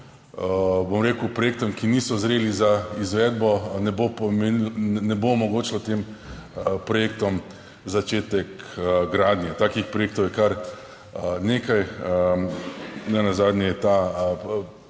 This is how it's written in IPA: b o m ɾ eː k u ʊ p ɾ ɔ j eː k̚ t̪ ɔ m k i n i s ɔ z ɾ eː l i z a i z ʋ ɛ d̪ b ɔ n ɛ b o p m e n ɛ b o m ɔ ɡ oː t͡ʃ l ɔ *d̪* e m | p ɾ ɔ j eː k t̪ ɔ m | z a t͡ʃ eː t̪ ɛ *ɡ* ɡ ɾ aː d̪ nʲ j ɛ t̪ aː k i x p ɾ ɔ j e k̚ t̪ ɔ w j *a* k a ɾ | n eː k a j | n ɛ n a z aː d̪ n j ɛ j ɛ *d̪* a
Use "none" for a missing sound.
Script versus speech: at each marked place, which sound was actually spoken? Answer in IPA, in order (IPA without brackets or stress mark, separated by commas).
t̪, k, ɛ, t̪